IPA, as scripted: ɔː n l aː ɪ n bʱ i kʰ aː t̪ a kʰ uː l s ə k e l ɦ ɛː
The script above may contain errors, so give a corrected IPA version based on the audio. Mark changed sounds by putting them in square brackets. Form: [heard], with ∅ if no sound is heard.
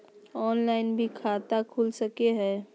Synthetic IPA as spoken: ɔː n l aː ɪ n bʱ i kʰ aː t̪ a kʰ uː l s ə k e [∅] ɦ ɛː